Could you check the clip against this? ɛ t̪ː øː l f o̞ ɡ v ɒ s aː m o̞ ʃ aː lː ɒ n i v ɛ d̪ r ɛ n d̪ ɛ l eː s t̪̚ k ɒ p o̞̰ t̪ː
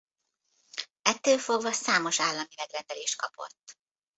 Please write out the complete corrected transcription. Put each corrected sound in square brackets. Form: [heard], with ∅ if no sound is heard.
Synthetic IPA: ɛ t̪ː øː l f o̞ ɡ v ɒ s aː m o̞ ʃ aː lː ɒ [m] i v ɛ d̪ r ɛ n d̪ ɛ l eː [ʃ] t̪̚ k ɒ p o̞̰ t̪ː